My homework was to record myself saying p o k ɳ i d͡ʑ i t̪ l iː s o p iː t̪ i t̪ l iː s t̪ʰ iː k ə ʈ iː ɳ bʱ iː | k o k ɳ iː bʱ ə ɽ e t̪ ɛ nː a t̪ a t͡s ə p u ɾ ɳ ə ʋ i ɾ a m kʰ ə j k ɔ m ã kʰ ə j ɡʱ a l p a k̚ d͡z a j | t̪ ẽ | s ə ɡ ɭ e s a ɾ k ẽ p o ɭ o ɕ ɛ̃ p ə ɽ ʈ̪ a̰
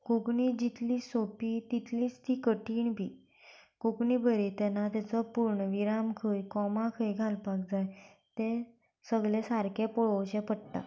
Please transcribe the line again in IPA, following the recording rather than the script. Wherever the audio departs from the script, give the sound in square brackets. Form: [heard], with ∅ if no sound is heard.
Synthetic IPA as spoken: [k] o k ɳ i d͡ʑ i t̪ l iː s o p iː t̪ i t̪ l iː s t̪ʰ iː k ə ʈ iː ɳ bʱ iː | k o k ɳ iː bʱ ə [ɾ] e t̪ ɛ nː a t̪ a t͡s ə p u ɾ ɳ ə ʋ i ɾ a m kʰ ə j k ɔ m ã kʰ ə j ɡʱ a l p a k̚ d͡z a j | t̪ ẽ | s ə ɡ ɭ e s a ɾ k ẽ p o ɭ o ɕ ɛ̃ p ə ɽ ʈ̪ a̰